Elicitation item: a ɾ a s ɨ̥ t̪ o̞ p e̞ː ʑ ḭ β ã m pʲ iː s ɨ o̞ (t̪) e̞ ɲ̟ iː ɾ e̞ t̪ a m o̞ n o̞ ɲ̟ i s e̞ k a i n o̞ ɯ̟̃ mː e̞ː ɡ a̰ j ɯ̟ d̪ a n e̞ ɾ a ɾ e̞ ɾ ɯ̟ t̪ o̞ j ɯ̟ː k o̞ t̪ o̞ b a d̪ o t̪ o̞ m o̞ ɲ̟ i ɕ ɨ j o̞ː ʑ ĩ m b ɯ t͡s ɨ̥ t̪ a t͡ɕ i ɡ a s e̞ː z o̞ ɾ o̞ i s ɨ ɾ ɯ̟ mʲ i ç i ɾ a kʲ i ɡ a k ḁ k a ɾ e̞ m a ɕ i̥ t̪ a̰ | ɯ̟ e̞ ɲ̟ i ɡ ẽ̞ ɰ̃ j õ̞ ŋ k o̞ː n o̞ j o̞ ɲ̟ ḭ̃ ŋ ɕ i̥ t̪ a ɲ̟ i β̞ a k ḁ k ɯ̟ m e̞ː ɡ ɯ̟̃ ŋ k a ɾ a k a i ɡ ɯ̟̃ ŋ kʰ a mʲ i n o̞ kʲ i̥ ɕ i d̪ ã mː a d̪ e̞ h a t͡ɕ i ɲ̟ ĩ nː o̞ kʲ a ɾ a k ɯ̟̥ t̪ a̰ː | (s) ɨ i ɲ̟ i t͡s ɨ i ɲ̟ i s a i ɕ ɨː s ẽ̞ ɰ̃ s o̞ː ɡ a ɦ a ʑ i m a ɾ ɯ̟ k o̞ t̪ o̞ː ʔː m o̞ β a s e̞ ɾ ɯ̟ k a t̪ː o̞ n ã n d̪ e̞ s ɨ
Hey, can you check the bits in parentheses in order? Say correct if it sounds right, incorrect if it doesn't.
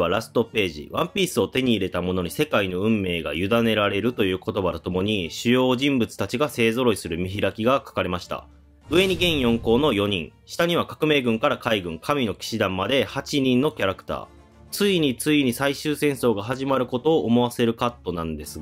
correct, incorrect: t͡s

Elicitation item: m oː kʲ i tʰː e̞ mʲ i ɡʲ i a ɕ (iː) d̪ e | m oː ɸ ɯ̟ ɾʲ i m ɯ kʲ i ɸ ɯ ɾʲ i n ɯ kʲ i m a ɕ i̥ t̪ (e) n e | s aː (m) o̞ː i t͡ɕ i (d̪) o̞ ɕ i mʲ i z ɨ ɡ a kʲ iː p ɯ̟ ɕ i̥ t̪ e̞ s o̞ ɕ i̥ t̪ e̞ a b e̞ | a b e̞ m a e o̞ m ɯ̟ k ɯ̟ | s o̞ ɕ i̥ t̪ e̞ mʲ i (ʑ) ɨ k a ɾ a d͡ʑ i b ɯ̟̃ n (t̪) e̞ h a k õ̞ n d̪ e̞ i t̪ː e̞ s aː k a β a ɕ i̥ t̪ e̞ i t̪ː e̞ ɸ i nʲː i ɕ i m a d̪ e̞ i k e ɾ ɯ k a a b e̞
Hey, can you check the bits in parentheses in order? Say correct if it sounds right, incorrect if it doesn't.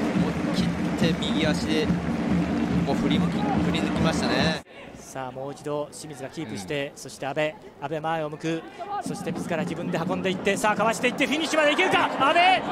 incorrect: i, incorrect: a, correct, correct, incorrect: z, incorrect: d̪

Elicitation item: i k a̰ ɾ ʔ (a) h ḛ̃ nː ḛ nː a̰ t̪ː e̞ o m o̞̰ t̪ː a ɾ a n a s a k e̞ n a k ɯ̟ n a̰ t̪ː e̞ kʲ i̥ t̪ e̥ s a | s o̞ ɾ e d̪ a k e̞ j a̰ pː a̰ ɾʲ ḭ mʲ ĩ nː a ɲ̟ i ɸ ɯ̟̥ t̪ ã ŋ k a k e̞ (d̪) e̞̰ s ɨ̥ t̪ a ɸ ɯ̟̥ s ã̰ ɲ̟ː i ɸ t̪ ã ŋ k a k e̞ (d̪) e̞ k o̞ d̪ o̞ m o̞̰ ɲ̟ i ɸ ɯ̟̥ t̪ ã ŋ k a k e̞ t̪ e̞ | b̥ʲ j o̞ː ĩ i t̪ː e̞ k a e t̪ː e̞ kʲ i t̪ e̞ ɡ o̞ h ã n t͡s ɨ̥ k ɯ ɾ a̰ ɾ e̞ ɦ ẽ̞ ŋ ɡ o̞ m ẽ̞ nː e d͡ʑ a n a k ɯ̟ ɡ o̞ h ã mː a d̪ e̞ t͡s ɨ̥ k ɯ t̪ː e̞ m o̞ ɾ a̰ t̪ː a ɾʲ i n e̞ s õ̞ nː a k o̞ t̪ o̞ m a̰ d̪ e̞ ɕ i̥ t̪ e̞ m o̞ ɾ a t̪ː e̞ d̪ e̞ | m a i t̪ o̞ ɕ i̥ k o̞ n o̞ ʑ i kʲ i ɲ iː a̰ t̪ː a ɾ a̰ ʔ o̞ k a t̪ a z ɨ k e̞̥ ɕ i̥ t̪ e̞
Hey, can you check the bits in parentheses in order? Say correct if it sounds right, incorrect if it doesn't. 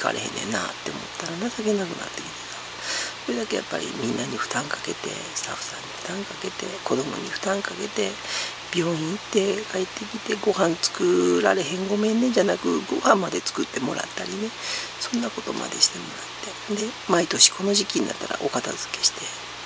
incorrect: e, incorrect: t̪, incorrect: t̪

